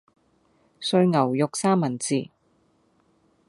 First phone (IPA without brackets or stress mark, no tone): s